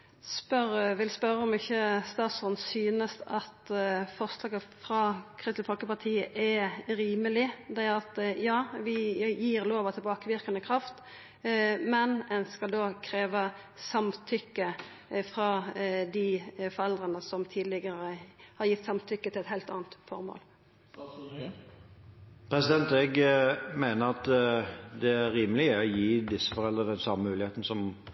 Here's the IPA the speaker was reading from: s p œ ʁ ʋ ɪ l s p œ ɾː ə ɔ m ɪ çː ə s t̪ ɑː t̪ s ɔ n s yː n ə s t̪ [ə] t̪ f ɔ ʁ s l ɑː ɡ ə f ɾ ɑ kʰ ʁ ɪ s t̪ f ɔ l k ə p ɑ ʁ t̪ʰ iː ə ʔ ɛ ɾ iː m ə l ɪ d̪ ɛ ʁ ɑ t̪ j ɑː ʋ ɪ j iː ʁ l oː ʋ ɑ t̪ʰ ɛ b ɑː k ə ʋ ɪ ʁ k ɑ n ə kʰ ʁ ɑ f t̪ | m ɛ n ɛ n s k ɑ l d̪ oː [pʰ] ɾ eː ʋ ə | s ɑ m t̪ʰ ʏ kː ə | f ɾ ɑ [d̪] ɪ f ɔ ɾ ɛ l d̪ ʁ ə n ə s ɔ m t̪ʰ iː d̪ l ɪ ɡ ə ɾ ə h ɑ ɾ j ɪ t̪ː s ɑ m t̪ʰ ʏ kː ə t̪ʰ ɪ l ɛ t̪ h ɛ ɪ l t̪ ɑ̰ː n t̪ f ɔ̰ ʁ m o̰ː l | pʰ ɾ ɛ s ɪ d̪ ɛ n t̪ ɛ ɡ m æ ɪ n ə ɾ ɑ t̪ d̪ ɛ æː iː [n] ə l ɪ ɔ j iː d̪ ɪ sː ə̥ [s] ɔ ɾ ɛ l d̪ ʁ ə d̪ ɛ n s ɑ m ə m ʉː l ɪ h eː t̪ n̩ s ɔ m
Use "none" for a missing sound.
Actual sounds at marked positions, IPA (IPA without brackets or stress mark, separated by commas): ɑ, kʰ, d̪, m, f